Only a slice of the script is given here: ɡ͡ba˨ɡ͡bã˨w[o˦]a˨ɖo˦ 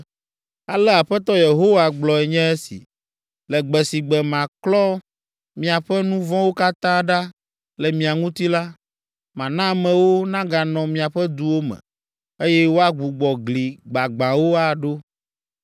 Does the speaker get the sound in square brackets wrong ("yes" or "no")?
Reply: no